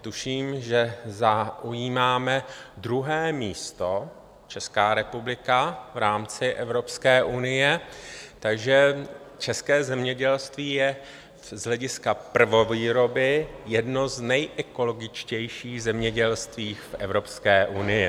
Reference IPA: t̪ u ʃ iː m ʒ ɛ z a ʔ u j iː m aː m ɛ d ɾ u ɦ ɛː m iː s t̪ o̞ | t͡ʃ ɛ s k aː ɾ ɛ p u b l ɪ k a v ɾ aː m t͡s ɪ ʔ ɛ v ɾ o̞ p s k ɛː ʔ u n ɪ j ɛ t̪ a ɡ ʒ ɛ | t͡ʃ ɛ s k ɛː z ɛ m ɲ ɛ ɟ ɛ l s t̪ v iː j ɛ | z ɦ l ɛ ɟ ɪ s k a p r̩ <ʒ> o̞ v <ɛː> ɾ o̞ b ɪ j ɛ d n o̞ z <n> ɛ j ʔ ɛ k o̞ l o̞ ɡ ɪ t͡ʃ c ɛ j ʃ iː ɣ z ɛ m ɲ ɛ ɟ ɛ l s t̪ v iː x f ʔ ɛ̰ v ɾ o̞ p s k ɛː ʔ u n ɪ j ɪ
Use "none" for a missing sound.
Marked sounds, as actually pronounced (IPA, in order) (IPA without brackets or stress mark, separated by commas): v, iː, n